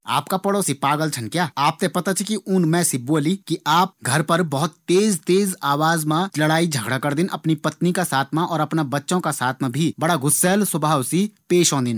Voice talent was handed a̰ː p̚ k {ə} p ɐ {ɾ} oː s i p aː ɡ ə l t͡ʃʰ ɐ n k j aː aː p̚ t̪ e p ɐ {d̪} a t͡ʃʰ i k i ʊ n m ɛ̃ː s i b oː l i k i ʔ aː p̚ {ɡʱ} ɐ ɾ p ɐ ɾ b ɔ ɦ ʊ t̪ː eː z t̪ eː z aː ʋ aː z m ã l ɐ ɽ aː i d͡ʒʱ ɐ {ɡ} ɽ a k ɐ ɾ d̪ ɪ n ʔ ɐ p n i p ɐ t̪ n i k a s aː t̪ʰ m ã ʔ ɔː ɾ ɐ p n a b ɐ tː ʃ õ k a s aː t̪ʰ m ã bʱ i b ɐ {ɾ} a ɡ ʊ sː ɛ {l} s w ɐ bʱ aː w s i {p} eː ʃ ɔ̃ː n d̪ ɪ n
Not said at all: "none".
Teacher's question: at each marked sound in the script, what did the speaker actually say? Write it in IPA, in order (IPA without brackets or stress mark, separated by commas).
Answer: a, ɽ, t̪, ɡʱ, ɡ, ɽ, l, p